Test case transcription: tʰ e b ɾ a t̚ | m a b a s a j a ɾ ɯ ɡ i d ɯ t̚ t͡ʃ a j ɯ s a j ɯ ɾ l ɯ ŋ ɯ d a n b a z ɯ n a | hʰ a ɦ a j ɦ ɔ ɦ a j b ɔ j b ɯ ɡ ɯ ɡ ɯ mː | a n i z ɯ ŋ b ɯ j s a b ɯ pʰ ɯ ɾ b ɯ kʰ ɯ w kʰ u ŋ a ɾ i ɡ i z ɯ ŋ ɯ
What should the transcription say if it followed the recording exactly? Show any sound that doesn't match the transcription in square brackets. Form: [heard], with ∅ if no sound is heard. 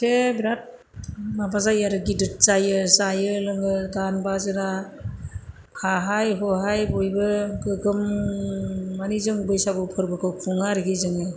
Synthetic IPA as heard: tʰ e b ɾ a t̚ | m a b a [z] a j a ɾ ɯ ɡ i d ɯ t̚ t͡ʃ a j ɯ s a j ɯ [∅] l ɯ ŋ ɯ d a n b a z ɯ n a | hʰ a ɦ a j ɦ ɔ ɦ a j b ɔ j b ɯ ɡ ɯ ɡ ɯ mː | a n i z ɯ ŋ b ɯ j s a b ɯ pʰ ɯ ɾ b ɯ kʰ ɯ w kʰ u ŋ a ɾ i ɡ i z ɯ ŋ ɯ